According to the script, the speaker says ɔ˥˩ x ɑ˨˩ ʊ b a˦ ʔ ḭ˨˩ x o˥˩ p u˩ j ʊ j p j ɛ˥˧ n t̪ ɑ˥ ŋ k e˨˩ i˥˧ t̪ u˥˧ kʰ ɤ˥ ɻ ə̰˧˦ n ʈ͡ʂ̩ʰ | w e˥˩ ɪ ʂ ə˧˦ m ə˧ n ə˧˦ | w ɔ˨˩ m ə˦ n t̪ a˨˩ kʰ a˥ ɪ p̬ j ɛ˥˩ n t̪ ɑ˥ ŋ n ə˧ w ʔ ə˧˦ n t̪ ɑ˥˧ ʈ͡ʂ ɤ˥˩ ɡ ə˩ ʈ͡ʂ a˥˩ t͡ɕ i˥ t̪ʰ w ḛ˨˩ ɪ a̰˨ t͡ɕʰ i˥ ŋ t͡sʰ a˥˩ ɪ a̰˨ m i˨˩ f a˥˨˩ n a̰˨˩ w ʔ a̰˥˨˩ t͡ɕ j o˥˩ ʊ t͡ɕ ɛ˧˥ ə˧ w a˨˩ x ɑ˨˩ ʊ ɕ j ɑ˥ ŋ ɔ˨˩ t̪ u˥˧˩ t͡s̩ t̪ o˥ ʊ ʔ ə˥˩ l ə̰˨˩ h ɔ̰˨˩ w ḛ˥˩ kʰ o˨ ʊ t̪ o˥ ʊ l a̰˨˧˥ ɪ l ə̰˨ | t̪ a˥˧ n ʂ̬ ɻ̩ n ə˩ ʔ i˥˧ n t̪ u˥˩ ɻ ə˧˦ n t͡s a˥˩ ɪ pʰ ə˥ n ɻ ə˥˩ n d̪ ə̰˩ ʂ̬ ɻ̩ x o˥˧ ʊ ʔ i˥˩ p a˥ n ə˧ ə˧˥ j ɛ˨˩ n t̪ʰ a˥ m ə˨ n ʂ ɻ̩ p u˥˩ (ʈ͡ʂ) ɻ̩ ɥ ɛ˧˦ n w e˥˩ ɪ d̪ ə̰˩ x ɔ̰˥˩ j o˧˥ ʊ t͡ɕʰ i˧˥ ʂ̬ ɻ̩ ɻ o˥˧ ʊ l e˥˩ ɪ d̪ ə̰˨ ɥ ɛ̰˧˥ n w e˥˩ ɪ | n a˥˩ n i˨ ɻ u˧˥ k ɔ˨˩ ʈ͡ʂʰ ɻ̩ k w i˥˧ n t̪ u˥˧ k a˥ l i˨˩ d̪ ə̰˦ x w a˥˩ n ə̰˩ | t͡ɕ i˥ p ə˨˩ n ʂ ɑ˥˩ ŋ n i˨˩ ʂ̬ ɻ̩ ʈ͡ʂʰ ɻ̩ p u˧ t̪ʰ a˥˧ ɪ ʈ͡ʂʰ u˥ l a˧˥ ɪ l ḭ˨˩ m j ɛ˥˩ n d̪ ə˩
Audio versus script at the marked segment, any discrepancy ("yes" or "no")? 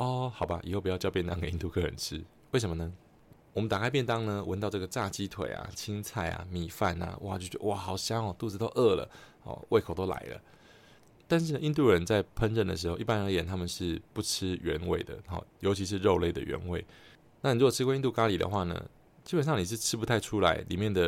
yes